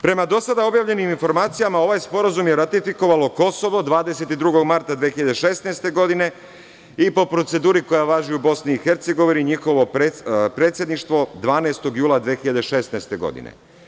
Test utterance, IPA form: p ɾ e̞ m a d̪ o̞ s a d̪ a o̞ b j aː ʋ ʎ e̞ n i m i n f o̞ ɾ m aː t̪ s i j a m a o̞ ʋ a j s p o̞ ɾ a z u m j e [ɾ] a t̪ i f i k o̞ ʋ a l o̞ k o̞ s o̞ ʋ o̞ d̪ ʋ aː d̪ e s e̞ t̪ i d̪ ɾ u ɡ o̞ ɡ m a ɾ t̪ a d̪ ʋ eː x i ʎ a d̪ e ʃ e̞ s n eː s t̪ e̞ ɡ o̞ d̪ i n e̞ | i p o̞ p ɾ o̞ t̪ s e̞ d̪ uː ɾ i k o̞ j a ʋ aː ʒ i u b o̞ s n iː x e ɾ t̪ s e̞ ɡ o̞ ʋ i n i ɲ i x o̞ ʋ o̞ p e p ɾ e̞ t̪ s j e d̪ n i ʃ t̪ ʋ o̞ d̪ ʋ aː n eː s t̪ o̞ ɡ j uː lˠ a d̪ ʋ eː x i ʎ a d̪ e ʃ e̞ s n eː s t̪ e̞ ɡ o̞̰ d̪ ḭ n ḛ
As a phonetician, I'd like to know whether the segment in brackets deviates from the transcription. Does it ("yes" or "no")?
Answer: no